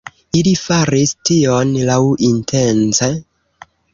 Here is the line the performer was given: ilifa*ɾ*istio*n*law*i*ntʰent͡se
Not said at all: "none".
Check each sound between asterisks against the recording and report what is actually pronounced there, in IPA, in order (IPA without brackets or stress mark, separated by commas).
ɾ, n, i